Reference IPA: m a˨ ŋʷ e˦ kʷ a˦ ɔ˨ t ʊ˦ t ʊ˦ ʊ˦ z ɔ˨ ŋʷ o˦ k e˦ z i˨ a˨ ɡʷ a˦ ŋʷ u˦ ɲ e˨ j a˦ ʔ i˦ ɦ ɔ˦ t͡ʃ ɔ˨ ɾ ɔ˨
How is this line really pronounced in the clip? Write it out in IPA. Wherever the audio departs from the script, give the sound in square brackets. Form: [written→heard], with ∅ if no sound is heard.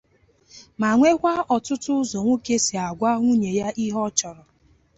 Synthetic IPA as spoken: m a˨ ŋʷ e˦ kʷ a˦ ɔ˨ t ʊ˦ t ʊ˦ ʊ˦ z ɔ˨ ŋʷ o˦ k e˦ [z→s] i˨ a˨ ɡʷ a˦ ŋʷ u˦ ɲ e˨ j a˦ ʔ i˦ ɦ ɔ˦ t͡ʃ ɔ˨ ɾ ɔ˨